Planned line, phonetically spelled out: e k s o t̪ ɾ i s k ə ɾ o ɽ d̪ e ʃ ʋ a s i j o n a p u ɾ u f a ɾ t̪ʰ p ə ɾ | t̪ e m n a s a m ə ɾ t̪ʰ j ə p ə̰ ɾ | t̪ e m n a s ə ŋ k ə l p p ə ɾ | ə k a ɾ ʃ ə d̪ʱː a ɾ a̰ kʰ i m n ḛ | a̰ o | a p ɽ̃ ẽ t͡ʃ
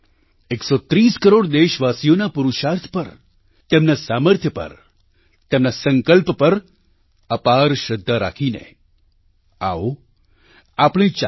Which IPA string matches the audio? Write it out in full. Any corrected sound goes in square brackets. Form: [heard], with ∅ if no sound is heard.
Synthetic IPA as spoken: e k s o t̪ ɾ i s k ə ɾ o ɽ d̪ e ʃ ʋ a s i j o n a p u ɾ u [ʃ] a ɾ t̪ʰ p ə ɾ | t̪ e m n a s a m ə ɾ t̪ʰ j ə p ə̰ ɾ | t̪ e m n a s ə ŋ k ə l p p ə ɾ | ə [p] a ɾ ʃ ə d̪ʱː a ɾ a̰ kʰ i [∅] n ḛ | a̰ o | a p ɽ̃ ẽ t͡ʃ